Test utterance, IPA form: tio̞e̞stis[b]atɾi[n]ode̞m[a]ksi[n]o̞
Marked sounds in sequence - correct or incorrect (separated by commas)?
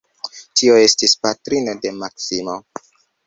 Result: incorrect, correct, correct, incorrect